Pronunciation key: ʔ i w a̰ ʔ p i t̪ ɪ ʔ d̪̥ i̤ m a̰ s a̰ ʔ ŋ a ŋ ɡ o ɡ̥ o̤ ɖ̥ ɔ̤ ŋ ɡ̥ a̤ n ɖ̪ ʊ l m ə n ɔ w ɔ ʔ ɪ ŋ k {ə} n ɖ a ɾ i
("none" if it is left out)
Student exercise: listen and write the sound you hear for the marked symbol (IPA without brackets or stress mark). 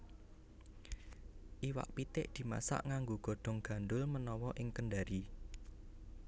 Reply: ə